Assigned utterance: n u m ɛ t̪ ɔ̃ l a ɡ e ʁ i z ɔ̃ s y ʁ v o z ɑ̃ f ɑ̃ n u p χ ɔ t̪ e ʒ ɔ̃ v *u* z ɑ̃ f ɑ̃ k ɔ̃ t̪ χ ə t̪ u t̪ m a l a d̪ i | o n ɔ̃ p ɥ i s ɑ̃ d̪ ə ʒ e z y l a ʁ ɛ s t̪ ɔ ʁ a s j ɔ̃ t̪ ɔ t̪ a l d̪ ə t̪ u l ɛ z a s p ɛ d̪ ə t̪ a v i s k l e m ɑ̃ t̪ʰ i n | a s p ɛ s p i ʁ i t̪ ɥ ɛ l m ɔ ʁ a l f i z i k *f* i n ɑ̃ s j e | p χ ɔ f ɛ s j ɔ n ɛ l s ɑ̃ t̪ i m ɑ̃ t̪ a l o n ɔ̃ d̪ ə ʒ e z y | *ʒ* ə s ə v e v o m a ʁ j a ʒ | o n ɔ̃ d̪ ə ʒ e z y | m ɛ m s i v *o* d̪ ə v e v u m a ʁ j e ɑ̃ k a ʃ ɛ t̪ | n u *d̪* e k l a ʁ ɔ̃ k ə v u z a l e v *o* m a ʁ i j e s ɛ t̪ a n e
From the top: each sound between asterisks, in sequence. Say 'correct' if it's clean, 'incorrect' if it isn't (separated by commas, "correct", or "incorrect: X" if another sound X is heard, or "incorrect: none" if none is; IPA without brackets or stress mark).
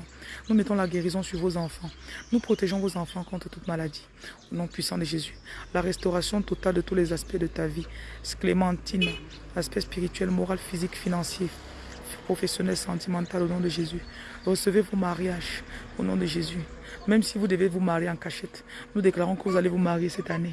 incorrect: o, correct, incorrect: ʁ, incorrect: u, correct, incorrect: u